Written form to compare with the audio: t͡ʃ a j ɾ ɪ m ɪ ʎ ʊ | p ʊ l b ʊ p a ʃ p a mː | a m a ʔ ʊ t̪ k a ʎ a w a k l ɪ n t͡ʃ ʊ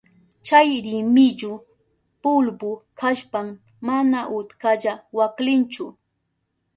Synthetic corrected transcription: t͡ʃ a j ɾ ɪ m ɪ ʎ ʊ | p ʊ l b ʊ k a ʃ p a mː | a n a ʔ ʊ t̪ k a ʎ a w a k l ɪ n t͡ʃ ʊ